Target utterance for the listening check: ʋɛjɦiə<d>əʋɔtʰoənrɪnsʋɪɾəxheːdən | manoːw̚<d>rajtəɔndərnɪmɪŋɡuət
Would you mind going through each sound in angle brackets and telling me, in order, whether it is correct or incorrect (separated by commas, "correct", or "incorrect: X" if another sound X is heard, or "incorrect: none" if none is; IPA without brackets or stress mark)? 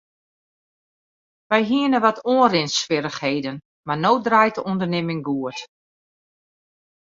incorrect: n, correct